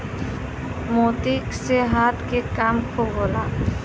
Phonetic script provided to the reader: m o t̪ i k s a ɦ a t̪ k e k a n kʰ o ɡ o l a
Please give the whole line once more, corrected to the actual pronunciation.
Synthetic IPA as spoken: m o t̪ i k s e ɦ a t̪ k e k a m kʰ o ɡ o l a